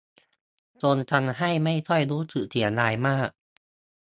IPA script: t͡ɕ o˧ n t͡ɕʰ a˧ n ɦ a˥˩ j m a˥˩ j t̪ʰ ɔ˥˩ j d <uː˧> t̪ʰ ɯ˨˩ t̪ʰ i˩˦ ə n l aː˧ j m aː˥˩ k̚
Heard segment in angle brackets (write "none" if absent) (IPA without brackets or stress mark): uː˦˥